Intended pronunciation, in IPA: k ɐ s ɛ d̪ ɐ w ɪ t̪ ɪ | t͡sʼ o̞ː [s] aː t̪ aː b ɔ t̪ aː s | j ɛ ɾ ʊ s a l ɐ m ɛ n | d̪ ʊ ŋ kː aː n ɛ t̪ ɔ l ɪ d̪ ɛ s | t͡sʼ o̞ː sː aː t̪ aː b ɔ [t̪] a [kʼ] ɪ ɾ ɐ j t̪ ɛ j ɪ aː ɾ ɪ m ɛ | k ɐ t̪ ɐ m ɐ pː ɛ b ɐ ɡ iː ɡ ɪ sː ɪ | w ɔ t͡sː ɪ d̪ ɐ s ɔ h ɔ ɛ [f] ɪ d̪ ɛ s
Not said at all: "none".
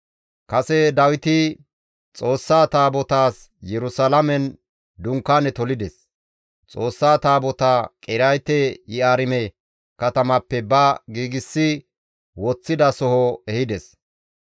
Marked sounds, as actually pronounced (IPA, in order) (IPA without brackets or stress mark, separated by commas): sː, t̪, kʼ, h